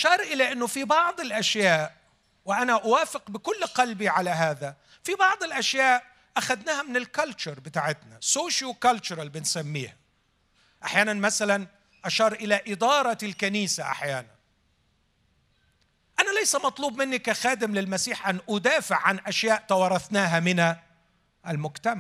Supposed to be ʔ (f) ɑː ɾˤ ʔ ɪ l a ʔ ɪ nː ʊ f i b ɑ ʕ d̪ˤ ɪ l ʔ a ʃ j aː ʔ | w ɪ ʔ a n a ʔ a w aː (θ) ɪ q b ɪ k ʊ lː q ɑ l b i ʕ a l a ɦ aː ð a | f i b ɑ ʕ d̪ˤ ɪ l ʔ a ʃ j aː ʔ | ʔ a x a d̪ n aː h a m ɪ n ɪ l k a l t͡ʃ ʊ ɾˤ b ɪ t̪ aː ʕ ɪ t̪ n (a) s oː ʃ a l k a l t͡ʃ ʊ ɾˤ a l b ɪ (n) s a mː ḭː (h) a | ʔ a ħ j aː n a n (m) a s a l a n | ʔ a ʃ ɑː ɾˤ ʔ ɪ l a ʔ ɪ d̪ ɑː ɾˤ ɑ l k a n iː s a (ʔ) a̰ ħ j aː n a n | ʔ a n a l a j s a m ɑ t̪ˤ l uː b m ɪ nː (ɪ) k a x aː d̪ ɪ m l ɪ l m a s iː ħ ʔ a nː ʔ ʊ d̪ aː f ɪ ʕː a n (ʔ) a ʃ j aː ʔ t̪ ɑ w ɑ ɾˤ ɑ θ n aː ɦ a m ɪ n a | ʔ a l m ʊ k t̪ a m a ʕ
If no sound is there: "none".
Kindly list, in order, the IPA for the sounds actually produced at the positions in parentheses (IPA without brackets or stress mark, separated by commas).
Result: ʃ, f, a, n, h, m, ʔ, i, ʔ